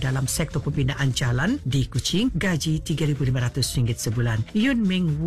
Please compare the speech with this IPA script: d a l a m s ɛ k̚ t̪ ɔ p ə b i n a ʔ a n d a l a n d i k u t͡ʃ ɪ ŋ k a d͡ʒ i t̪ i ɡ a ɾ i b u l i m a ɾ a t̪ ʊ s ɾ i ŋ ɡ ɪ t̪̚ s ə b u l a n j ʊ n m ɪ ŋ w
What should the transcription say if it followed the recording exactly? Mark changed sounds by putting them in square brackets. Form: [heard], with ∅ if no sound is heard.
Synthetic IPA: d a l a m s ɛ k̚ t̪ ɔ p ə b i n a ʔ a n [d͡ʒ] a l a n d i k u t͡ʃ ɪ ŋ [ɡ] a d͡ʒ i t̪ i ɡ a ɾ i b u l i m a ɾ a t̪ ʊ s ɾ i ŋ ɡ ɪ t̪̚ s ə b u l a n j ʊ n m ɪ ŋ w